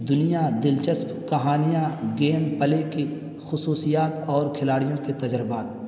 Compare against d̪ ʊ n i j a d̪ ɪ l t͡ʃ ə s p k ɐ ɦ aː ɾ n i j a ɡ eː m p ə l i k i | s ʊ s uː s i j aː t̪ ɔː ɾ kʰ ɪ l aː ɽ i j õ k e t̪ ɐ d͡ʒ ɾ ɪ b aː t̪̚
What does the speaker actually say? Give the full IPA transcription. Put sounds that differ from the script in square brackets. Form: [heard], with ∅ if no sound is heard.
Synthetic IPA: d̪ ʊ n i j a d̪ ɪ l t͡ʃ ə s p k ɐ ɦ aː [∅] n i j a ɡ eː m p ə l [e] k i | [x] ʊ s uː s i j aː t̪ ɔː ɾ kʰ ɪ l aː ɽ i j õ k e t̪ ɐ d͡ʒ ɾ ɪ b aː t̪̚